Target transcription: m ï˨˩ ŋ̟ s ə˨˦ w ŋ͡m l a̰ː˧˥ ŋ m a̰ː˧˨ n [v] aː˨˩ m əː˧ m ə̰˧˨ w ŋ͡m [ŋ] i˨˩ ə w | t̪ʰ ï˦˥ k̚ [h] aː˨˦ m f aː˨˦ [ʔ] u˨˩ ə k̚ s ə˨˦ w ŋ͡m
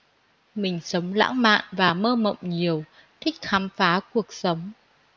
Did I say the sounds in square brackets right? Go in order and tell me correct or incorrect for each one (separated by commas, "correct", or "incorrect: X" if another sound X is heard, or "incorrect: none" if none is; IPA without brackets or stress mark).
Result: correct, incorrect: ɲ, incorrect: x, incorrect: k